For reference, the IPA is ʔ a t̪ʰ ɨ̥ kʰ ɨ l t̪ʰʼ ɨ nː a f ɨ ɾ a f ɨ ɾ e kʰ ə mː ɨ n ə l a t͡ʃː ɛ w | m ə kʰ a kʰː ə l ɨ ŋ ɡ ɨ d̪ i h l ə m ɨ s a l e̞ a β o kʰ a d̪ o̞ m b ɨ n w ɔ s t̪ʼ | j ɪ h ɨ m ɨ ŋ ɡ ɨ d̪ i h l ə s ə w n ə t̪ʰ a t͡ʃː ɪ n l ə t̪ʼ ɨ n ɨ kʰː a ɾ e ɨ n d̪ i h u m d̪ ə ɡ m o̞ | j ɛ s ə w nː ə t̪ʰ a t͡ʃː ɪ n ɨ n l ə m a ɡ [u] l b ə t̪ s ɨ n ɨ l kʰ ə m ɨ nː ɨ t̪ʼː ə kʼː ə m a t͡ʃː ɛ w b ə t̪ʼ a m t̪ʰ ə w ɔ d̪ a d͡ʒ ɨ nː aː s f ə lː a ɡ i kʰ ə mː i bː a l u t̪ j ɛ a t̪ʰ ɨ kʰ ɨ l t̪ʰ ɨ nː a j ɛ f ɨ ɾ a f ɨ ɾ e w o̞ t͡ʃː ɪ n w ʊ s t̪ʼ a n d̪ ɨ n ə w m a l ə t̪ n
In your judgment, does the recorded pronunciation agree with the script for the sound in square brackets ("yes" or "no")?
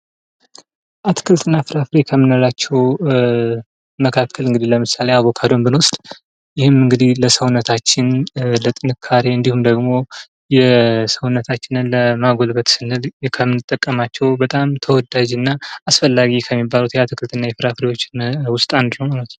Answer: no